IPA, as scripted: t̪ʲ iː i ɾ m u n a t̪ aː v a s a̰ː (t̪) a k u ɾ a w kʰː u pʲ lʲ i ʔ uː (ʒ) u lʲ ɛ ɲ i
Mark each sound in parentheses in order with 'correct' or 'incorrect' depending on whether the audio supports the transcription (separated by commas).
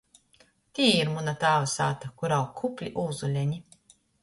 correct, incorrect